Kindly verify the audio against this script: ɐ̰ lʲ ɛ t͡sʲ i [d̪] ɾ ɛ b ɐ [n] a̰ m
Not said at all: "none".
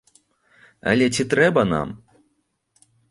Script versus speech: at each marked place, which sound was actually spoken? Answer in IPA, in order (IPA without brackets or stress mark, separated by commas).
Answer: t̪, n